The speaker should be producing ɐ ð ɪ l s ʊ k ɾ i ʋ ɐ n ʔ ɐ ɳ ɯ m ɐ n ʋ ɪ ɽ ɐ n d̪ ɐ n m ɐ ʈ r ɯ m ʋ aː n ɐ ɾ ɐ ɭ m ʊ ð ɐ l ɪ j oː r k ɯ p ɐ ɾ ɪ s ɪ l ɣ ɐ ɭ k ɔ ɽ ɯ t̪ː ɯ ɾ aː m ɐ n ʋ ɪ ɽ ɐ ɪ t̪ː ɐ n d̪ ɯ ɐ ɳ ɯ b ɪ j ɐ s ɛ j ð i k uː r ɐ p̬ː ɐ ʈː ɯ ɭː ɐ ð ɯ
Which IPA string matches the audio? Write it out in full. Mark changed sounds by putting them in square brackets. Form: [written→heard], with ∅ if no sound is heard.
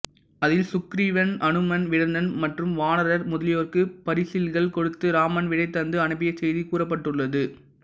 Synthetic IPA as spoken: ɐ ð ɪ l s ʊ k ɾ i ʋ ɐ n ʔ ɐ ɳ ɯ m ɐ n ʋ ɪ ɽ ɐ n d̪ ɐ n m ɐ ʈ r ɯ m ʋ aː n ɐ ɾ ɐ [ɭ→ɾ] m ʊ ð ɐ l ɪ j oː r k ɯ p ɐ ɾ ɪ s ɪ l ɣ ɐ ɭ k ɔ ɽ ɯ t̪ː ɯ ɾ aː m ɐ n ʋ ɪ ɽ ɐ ɪ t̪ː ɐ n d̪ ɯ ɐ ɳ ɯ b ɪ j ɐ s ɛ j ð i k uː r ɐ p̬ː ɐ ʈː ɯ ɭː ɐ ð ɯ

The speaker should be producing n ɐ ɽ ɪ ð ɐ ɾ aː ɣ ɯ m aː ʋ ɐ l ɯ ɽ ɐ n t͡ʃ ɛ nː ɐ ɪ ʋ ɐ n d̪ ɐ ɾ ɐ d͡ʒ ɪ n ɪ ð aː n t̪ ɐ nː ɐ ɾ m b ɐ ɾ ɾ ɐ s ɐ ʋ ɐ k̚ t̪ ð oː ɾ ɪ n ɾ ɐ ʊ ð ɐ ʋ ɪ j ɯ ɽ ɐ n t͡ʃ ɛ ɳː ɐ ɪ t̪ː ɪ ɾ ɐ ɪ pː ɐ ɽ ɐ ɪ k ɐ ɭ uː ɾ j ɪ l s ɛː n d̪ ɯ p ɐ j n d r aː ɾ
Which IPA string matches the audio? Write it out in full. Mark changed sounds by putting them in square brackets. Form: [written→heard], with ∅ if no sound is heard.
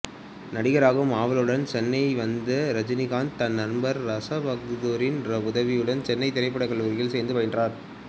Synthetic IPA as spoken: n ɐ ɽ ɪ [ð→ɣ] ɐ ɾ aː ɣ ɯ m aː ʋ ɐ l ɯ ɽ ɐ n t͡ʃ ɛ nː ɐ ɪ ʋ ɐ n d̪ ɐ ɾ ɐ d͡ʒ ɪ n ɪ [ð→ɣ] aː n t̪ ɐ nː ɐ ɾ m b ɐ ɾ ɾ ɐ s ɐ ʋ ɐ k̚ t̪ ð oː ɾ ɪ n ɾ ɐ ʊ ð ɐ ʋ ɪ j ɯ ɽ ɐ n t͡ʃ ɛ [ɳː→nː] ɐ ɪ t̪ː ɪ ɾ ɐ ɪ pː ɐ ɽ ɐ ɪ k ɐ ɭ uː ɾ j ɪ l s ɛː n d̪ ɯ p ɐ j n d r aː ɾ

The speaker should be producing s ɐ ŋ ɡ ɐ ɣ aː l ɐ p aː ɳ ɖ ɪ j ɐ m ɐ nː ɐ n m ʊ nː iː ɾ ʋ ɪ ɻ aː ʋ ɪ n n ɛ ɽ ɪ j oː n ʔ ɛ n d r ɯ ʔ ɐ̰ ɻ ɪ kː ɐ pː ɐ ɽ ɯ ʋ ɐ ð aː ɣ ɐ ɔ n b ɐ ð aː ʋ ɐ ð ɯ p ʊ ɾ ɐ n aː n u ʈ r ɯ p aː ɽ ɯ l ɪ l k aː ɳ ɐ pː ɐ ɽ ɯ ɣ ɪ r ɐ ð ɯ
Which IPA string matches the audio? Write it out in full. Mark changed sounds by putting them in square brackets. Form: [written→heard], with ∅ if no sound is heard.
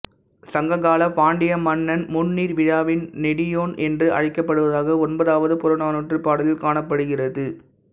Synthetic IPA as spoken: s ɐ ŋ ɡ ɐ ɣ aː l ɐ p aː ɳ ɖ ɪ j ɐ m ɐ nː ɐ n m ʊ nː iː ɾ ʋ ɪ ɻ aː ʋ ɪ n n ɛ ɽ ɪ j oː n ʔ ɛ n d r ɯ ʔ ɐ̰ ɻ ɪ kː ɐ pː ɐ ɽ ɯ ʋ ɐ ð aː ɣ ɐ ɔ n b ɐ ð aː ʋ ɐ ð ɯ p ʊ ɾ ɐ n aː n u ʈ r ɯ p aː ɽ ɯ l ɪ l k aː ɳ ɐ pː ɐ ɽ ɯ ɣ ɪ r ɐ ð ɯ

